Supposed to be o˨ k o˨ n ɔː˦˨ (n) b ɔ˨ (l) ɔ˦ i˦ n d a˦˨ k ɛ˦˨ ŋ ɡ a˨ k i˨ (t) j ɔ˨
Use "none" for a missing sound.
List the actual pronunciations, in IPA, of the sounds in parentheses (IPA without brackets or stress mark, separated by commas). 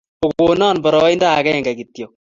n, ɾ, t